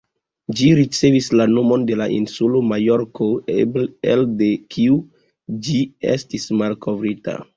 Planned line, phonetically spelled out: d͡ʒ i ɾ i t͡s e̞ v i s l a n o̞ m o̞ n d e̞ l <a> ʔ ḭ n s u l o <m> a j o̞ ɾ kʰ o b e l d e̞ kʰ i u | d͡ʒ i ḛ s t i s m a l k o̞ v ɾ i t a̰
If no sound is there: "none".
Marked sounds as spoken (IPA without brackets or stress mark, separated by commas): a, m